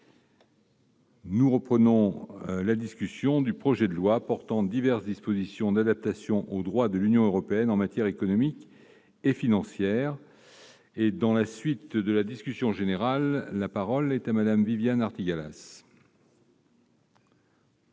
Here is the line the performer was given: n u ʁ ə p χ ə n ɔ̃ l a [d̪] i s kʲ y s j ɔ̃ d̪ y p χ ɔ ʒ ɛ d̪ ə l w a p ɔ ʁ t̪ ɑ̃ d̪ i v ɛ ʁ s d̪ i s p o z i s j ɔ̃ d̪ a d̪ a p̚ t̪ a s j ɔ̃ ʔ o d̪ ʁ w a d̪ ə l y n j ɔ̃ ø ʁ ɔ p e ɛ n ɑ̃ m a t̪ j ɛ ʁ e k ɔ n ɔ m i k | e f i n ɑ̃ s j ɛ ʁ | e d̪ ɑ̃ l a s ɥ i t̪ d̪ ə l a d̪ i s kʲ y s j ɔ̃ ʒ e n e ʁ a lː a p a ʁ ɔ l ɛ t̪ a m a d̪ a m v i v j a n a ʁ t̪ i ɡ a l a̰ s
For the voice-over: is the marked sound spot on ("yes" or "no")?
yes